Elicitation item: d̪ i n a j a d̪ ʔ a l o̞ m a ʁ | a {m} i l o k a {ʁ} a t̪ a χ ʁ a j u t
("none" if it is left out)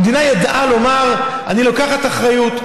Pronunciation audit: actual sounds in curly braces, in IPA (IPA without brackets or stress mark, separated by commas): n, χ